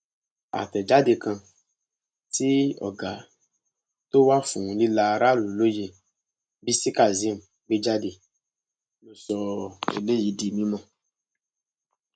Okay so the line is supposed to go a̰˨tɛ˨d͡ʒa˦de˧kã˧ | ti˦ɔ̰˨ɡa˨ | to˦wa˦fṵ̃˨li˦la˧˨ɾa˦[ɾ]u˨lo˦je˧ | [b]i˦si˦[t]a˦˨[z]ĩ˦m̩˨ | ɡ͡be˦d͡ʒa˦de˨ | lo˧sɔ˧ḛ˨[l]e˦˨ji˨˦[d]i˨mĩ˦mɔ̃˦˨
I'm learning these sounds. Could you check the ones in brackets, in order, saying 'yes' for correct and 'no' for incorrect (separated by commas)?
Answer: no, yes, no, yes, yes, yes